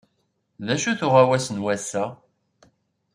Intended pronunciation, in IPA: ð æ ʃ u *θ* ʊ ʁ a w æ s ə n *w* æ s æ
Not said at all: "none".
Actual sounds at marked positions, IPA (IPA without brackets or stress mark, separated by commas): θ, w